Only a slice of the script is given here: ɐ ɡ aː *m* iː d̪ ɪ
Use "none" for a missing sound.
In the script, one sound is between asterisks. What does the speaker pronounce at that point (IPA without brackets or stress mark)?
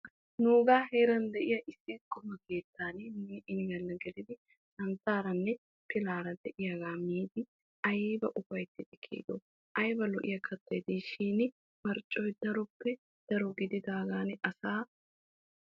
m